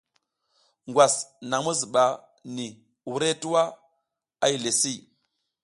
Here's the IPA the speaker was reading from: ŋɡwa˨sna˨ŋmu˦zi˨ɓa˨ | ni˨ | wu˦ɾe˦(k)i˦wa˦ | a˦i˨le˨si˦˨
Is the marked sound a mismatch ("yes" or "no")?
yes